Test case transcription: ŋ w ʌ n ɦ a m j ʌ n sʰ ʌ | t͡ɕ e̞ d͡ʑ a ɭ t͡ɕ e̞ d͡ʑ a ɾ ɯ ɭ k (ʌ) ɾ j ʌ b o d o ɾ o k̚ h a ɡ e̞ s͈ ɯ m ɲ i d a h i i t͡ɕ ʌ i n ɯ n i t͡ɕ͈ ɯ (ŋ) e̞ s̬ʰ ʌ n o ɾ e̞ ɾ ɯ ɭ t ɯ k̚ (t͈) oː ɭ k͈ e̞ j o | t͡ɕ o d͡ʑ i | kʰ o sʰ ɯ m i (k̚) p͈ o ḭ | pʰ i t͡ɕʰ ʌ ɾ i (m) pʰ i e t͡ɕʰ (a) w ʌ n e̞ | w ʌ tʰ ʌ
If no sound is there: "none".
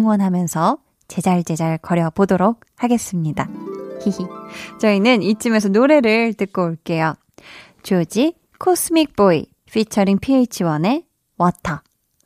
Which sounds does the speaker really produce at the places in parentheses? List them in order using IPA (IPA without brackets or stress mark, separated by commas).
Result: ʌ, m, k͈, k̚, ŋ, i